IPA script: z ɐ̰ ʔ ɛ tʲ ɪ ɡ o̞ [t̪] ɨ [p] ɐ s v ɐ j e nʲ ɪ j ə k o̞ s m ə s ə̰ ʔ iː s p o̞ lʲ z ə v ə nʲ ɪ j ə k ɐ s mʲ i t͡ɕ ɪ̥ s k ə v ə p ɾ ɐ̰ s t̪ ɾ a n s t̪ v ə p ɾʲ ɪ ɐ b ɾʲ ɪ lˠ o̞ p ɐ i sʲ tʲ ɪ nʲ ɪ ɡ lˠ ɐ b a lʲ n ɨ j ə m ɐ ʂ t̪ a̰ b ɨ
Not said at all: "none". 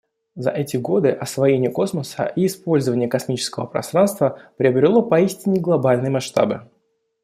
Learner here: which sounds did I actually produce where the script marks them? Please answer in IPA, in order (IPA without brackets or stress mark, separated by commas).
d̪, ʔ